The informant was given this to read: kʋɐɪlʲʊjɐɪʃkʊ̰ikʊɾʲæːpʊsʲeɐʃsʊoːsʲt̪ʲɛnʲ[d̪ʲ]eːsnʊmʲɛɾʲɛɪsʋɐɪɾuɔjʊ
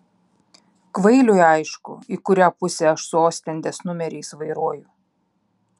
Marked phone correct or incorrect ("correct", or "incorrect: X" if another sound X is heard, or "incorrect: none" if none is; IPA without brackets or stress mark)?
correct